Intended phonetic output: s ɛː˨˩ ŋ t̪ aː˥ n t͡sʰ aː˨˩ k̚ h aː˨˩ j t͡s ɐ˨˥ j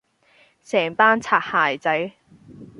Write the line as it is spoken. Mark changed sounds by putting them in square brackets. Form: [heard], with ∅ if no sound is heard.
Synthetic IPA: s ɛː˨˩ ŋ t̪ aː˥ n t͡sʰ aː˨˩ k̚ h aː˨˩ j t͡s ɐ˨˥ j